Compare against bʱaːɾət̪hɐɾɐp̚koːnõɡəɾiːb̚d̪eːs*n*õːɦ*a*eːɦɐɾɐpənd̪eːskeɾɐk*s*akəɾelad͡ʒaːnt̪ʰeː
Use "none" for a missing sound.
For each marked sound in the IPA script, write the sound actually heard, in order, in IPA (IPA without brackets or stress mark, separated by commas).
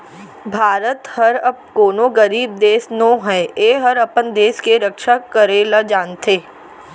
n, ɛ, ʃ